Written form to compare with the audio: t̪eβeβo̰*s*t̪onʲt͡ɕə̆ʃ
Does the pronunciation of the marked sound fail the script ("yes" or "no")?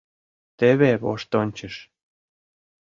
yes